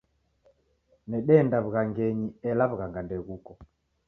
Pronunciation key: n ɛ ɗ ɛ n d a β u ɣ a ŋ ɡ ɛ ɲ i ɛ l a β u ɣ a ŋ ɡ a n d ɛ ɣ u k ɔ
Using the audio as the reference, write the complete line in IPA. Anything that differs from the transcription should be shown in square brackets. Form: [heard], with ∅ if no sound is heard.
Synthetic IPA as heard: n ɛ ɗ ɛ n d a β u ɣ a ŋ ɡ ɛ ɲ i ɛ l a β u ɣ a ŋ ɡ a n d ɛ ɣ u k ɔ